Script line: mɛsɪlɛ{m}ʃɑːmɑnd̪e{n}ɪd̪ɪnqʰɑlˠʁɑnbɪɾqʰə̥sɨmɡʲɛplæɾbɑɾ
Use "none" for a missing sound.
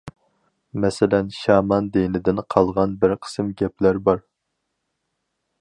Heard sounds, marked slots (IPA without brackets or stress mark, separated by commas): n, n